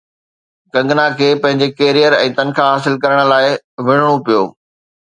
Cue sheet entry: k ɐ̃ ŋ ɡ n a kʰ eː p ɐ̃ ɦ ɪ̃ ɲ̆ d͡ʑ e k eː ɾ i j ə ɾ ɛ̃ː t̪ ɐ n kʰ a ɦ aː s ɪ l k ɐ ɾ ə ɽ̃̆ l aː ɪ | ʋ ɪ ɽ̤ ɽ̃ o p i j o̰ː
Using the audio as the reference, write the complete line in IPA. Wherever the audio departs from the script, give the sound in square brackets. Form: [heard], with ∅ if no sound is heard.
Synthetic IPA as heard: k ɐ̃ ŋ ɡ n a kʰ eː p ɐ̃ ɦ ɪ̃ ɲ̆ d͡ʑ e k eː ɾ i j ə ɾ ɛ̃ː t̪ ɐ n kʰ a ɦ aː s ɪ l k ɐ ɾ ə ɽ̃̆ l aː ɪ | ʋ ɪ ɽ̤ ɽ̃ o p i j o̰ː